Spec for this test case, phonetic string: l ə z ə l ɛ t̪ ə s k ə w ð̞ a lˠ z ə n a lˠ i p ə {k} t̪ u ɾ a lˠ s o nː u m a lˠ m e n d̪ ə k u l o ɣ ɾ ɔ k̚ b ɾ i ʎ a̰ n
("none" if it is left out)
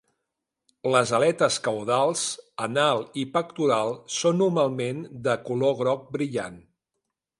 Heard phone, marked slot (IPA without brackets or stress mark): k